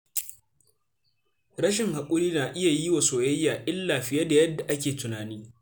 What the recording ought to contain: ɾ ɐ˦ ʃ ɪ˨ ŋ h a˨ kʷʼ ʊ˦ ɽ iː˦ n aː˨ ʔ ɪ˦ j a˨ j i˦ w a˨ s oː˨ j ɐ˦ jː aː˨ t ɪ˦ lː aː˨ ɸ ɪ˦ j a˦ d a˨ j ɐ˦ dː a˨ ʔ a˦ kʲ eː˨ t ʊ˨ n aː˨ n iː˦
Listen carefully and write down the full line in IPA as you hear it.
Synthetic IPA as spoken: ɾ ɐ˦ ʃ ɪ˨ ŋ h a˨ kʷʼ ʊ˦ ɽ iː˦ n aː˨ ʔ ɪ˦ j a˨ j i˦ w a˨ s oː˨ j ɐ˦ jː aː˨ ʔ ɪ˦ lː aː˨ ɸ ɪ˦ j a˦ d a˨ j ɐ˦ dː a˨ ʔ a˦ kʲ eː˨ t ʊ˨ n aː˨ n iː˦